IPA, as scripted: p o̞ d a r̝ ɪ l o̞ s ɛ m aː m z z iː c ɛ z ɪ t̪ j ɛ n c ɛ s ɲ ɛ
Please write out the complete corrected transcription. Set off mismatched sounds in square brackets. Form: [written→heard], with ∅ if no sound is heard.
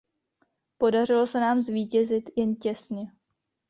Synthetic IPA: p o̞ d a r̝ ɪ l o̞ s ɛ [m→n] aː m z [z→v] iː c ɛ z ɪ t̪ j ɛ n c ɛ s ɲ ɛ